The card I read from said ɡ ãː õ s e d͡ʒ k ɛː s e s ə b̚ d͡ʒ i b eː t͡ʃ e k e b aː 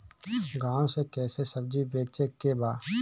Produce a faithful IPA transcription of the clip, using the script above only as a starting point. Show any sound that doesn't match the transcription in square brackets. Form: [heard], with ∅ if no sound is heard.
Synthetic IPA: ɡ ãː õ s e [∅] k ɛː s e s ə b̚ d͡ʒ i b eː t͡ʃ e k e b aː